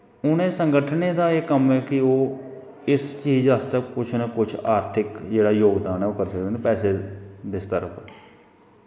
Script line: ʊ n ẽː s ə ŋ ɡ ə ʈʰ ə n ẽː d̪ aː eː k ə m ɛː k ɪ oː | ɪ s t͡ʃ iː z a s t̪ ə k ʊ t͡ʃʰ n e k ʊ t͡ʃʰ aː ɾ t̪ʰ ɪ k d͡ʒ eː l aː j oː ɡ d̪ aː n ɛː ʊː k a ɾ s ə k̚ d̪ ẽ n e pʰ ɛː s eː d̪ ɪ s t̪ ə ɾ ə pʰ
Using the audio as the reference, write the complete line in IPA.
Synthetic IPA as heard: ʊ n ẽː s ə ŋ ɡ ə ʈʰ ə n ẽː d̪ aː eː k ə m ɛː k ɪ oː | ɪ s t͡ʃ iː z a s t̪ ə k ʊ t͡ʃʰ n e k ʊ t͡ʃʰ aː ɾ t̪ʰ ɪ k d͡ʒ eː ɽ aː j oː ɡ d̪ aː n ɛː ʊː k ə ɾ s ə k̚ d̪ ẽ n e p ɛː s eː d̪ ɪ s t̪ ə ɾ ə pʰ